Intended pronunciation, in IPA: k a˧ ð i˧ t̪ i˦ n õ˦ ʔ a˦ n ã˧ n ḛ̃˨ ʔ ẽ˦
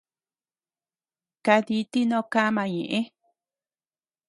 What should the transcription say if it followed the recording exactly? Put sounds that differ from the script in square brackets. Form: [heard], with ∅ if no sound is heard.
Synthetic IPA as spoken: k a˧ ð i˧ t̪ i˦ n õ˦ [k] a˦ [m] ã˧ [ɲ] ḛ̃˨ ʔ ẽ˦